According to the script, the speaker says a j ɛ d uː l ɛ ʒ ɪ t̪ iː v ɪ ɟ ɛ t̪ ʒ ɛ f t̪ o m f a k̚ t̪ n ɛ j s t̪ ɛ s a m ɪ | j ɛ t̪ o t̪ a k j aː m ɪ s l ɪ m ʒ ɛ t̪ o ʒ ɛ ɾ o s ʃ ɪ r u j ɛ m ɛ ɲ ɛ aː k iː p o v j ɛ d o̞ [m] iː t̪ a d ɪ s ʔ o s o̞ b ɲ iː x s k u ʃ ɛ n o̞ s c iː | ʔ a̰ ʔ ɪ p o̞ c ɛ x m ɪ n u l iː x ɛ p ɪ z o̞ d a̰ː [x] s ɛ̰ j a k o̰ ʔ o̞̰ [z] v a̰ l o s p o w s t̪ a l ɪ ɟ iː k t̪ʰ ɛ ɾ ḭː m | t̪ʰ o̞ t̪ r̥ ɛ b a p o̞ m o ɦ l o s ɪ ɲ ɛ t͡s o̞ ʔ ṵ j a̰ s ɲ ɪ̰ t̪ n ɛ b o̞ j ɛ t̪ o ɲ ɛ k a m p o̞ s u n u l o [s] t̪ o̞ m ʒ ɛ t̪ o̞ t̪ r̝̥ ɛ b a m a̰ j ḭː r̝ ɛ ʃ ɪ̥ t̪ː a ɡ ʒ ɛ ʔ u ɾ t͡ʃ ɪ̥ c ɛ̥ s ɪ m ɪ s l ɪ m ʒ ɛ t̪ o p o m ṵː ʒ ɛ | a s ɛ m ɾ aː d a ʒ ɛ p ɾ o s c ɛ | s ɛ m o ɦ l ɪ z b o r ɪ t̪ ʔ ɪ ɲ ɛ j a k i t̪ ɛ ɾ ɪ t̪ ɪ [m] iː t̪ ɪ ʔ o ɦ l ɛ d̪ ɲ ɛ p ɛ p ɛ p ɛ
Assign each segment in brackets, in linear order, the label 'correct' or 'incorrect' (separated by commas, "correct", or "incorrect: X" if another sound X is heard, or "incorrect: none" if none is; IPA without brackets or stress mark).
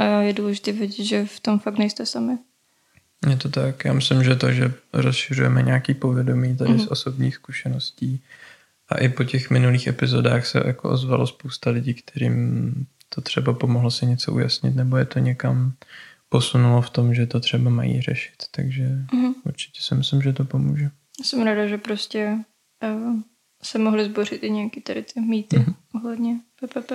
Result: correct, correct, correct, incorrect: f, correct